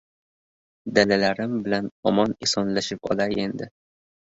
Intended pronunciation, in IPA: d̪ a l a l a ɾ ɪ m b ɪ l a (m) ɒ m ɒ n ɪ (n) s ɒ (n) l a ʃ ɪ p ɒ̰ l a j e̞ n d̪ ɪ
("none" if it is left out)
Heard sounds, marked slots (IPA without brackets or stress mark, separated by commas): n, none, n